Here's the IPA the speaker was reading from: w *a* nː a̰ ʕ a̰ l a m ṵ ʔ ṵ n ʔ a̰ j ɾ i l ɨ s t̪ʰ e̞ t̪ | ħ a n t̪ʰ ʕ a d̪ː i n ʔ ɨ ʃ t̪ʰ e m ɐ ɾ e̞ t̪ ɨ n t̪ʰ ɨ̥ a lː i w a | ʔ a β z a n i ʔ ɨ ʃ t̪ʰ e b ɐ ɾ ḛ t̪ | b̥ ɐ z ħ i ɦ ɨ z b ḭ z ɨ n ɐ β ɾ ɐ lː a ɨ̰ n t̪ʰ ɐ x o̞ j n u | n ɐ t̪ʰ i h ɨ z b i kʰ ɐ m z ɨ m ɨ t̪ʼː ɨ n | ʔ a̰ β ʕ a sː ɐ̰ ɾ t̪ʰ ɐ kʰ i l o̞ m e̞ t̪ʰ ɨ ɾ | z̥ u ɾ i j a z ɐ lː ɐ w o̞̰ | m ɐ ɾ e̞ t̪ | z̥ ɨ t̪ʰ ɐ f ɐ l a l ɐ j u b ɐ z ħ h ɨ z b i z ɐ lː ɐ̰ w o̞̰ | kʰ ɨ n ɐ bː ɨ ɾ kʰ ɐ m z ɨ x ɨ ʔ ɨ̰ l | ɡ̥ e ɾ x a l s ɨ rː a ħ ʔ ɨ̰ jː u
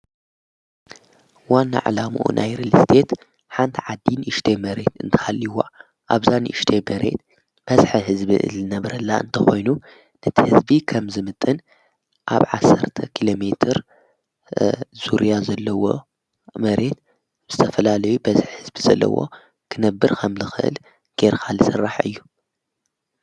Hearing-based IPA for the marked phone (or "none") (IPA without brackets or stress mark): a